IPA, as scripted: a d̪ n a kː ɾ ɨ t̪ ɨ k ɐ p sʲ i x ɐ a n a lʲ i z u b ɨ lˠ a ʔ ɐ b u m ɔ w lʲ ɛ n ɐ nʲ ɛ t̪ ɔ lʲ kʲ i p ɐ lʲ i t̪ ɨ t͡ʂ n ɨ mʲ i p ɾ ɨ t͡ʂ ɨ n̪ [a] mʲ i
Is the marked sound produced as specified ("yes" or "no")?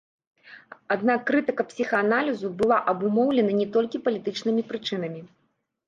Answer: no